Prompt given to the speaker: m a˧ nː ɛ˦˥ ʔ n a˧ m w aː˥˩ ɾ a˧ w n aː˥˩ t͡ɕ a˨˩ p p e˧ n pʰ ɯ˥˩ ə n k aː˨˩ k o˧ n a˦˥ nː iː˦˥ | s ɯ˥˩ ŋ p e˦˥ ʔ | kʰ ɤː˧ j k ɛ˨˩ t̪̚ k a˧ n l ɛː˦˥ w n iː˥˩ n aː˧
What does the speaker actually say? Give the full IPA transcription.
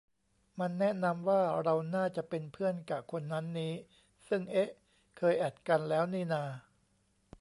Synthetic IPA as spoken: m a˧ nː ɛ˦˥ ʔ n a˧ m w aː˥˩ ɾ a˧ w n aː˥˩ t͡ɕ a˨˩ ʔ p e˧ n pʰ ɯ˥˩ ə n k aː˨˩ kʰ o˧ nː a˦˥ nː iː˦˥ | s ɯ˥˩ ŋ ʔ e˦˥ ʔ | kʰ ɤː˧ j ʔ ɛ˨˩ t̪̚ k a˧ n l ɛː˦˥ w n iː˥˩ n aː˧

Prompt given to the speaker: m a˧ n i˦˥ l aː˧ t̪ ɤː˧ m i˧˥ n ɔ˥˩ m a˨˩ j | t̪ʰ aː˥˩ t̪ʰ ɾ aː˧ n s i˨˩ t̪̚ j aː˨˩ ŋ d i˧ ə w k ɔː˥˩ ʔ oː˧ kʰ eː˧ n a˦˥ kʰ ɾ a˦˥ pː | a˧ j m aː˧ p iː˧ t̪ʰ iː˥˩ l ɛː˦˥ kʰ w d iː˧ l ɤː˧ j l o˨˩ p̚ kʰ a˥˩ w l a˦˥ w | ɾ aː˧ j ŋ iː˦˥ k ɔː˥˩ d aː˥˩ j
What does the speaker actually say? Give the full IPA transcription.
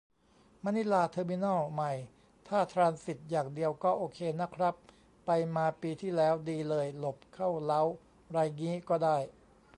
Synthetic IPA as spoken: m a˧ n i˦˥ l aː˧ t̪ʰ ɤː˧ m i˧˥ n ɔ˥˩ m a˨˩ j | t̪ʰ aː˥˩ t̪ʰ ɾ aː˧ n s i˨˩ t̪̚ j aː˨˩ ŋ d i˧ ə w k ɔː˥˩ ʔ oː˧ kʰ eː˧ n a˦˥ kʰ ɾ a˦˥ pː | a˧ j m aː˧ p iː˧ t̪ʰ iː˥˩ l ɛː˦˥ w d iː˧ l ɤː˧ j l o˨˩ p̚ kʰ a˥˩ w l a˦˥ w | ɾ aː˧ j ŋ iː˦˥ k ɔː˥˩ d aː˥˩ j

